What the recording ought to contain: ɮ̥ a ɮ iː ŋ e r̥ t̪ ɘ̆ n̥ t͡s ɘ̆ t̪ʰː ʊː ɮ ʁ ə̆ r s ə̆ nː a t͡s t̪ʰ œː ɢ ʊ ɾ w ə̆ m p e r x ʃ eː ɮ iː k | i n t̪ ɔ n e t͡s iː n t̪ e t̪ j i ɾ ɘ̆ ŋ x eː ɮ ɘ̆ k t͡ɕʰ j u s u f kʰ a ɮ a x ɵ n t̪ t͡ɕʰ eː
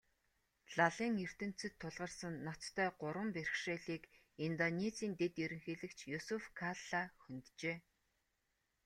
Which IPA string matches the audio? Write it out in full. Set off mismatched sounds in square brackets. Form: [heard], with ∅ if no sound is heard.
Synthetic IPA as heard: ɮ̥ a ɮ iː ŋ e r̥ t̪ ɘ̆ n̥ t͡s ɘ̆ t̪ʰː [ʊ] ɮ ʁ ə̆ r s ə̆ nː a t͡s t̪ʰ œː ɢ ʊ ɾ w ə̆ m p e r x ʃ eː ɮ iː k | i n t̪ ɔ n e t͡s iː n t̪ e t̪ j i ɾ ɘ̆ ŋ x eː ɮ ɘ̆ k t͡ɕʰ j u s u f kʰ a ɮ a x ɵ n t̪ [t͡ɕ] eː